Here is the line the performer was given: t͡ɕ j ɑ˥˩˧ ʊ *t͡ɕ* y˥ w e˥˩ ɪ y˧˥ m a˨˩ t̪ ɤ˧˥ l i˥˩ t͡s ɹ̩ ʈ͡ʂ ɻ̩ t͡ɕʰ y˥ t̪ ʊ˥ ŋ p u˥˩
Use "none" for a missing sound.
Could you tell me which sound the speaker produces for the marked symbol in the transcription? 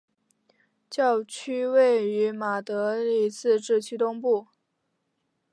t͡ɕʰ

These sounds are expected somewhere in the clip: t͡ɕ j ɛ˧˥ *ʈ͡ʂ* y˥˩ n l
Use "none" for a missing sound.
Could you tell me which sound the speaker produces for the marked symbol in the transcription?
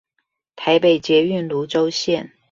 none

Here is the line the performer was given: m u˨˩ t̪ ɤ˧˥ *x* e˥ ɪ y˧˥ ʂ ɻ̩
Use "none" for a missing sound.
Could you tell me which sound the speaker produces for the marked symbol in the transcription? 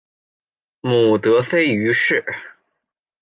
f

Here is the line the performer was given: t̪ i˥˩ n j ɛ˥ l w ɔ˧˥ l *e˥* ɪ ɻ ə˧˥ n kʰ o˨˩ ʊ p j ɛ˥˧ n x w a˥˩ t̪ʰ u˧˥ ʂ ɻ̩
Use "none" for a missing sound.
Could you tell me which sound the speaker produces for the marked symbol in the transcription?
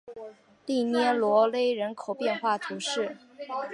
e˥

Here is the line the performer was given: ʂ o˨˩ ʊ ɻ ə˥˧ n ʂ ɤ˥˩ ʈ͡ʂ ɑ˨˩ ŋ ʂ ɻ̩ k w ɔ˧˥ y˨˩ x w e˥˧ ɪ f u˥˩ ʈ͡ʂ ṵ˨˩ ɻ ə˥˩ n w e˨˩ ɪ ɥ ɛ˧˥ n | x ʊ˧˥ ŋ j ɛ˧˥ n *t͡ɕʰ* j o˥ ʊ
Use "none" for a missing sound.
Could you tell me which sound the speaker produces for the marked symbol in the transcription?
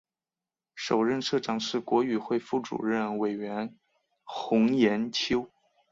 t͡ɕʰ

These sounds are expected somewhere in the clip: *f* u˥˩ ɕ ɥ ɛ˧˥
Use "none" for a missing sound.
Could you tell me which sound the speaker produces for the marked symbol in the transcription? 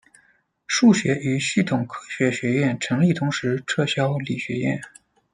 ʂ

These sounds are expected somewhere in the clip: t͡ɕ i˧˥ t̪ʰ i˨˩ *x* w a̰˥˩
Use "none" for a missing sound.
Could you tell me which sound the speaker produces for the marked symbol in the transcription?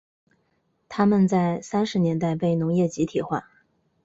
x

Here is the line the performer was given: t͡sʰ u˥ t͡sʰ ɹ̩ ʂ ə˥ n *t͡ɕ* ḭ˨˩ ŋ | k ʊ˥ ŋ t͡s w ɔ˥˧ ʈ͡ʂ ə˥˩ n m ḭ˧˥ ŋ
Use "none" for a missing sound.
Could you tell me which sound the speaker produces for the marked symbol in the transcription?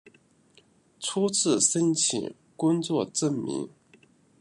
t͡ɕʰ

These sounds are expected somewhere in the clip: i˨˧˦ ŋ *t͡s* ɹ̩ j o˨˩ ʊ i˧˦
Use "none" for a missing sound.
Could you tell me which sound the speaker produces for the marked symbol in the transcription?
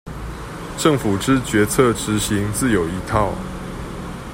t͡s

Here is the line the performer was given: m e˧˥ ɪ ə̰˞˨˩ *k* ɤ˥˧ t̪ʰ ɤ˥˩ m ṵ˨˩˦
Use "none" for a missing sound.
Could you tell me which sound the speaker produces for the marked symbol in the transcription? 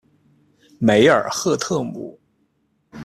x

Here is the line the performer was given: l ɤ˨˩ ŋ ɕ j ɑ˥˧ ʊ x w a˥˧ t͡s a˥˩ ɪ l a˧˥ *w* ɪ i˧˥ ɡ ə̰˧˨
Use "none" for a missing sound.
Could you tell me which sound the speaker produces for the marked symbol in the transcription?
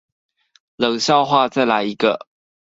none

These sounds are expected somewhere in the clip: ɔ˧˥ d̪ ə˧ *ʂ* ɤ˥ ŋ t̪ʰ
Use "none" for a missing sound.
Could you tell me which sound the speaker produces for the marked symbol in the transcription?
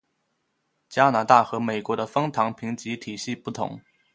f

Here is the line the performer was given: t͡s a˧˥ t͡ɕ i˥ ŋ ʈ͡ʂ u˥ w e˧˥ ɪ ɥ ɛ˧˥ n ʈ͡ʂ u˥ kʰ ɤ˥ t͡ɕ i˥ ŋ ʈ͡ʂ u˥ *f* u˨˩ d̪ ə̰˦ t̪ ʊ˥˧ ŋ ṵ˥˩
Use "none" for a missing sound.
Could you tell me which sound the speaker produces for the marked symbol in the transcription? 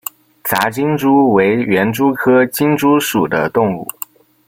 ʂ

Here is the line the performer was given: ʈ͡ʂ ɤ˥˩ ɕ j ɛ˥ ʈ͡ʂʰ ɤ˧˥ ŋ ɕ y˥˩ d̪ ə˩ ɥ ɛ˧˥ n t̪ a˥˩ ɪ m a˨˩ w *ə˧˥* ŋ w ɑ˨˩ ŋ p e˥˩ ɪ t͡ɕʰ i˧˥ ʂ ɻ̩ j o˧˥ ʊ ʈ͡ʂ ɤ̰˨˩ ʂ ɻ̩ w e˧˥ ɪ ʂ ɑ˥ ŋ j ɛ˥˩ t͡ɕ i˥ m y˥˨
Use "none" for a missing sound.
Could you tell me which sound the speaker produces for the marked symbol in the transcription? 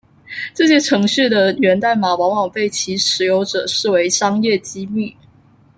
ɑ˧˥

